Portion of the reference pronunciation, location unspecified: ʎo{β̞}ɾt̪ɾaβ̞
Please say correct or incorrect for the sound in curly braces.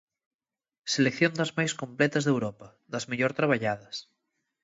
incorrect